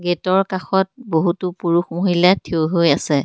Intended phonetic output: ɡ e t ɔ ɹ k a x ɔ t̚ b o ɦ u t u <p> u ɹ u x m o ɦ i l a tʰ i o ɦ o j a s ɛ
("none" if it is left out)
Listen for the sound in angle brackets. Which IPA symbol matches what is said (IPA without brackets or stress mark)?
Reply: p